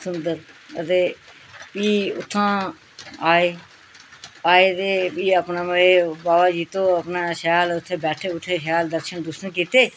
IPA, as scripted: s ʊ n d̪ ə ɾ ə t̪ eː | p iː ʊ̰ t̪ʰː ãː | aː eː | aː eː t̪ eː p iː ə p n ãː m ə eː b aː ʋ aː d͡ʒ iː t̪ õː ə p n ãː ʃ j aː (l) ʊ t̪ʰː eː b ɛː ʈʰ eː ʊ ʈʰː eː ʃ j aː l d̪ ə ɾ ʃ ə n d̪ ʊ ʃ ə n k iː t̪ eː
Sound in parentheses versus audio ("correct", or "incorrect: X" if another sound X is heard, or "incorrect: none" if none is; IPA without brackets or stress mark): correct